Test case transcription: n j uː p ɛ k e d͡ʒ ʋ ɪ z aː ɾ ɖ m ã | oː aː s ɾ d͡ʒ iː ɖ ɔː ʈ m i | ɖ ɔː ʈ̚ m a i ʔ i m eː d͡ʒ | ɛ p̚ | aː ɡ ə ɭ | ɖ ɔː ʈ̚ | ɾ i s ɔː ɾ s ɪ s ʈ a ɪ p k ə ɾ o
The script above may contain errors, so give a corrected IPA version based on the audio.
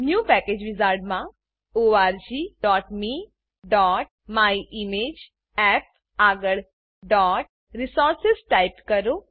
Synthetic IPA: n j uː p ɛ k e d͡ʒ ʋ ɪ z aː ɾ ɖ m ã | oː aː ɾ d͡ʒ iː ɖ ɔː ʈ m i | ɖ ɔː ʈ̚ m a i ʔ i m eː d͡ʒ | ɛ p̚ | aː ɡ ə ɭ | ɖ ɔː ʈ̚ | ɾ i s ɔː ɾ s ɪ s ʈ a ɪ p k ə ɾ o